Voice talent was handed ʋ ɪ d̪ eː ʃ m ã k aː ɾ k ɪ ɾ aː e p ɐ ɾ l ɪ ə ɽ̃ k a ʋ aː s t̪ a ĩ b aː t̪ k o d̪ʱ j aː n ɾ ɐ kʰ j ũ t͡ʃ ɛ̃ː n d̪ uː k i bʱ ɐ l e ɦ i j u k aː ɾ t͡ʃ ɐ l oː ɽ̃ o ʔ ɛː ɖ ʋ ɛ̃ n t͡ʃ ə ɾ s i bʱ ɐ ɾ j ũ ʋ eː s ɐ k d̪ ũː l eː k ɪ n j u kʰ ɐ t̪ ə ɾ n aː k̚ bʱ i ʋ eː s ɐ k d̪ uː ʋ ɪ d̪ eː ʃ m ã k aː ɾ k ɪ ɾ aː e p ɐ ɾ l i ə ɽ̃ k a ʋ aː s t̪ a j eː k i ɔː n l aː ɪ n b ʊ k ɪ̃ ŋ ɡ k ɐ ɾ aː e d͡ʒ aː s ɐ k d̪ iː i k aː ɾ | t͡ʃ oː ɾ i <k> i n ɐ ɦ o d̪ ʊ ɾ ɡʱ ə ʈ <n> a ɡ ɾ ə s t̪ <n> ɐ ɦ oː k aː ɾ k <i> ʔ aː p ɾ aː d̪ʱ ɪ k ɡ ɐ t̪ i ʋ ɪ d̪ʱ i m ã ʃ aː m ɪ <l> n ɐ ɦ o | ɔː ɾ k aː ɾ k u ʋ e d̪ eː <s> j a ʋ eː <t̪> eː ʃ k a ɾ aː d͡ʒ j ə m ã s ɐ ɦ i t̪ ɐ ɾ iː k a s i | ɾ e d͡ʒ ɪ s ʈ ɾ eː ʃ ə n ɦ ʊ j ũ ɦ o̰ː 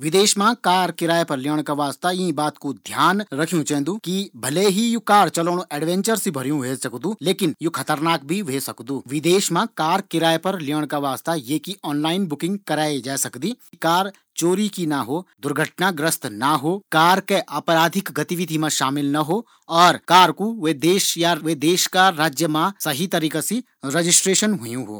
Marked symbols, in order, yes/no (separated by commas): yes, yes, yes, no, yes, no, no